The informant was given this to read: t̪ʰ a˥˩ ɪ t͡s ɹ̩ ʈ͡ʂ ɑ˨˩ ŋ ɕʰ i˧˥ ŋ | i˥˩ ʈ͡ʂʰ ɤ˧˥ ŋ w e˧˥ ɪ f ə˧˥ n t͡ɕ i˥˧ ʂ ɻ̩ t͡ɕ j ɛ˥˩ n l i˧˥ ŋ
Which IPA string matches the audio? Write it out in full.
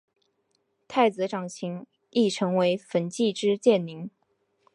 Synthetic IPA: t̪ʰ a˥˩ ɪ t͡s ɹ̩ ʈ͡ʂ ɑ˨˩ ŋ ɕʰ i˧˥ ŋ | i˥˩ ʈ͡ʂʰ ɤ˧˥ ŋ w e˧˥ ɪ f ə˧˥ n t͡ɕ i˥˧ ʈ͡ʂ ɻ̩ t͡ɕ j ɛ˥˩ n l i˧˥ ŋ